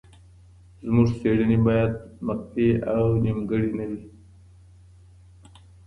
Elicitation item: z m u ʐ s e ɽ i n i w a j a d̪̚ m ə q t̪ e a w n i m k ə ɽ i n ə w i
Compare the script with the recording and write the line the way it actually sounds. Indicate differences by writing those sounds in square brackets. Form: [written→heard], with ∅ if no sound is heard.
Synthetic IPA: z m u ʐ s e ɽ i n i [w→b] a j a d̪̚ m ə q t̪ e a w n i m [k→ɡ] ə ɽ i n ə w i